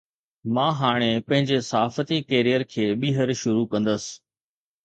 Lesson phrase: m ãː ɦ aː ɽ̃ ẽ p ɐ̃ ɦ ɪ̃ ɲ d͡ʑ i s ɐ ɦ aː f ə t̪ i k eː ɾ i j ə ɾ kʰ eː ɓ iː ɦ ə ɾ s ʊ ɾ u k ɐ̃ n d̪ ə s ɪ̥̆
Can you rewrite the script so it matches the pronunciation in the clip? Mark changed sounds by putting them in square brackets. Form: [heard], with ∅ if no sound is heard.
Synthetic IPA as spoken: m ãː ɦ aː ɽ̃ [e] p ɐ̃ ɦ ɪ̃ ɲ d͡ʑ [e] s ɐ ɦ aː f ə t̪ i k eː ɾ i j ə ɾ kʰ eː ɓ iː ɦ ə ɾ [ʃ] ʊ ɾ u k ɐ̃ n d̪ ə s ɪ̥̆